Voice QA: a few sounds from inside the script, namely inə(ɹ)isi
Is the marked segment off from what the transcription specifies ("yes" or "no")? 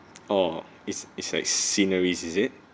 no